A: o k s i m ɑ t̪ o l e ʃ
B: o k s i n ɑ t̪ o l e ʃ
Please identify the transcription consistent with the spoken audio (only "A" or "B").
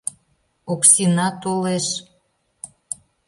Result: B